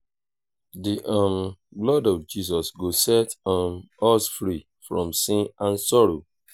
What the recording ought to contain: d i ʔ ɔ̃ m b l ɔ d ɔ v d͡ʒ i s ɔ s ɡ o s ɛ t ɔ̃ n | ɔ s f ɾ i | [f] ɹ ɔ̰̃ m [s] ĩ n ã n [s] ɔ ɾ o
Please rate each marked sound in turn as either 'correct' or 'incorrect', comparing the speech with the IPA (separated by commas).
correct, correct, correct